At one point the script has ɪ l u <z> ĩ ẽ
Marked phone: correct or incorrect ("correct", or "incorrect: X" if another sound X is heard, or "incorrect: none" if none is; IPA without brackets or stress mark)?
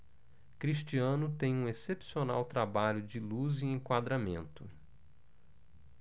correct